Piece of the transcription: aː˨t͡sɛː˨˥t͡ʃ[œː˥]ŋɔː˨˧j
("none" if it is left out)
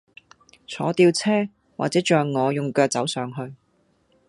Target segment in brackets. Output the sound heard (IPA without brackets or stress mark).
œː˨